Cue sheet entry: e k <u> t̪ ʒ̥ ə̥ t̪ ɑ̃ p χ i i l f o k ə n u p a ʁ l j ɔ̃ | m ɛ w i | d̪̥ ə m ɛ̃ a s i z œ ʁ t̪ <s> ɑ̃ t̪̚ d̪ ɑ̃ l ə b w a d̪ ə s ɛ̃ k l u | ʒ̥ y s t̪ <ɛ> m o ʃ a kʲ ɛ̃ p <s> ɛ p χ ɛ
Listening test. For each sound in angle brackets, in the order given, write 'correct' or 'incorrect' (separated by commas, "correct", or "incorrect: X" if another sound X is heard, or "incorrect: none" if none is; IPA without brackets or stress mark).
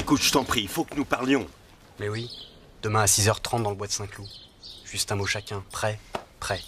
correct, incorrect: χ, incorrect: ɛ̃, incorrect: χ